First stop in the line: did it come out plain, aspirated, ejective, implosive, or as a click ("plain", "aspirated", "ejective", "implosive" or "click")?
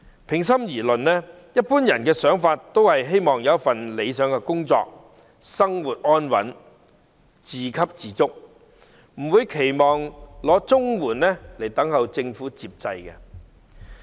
aspirated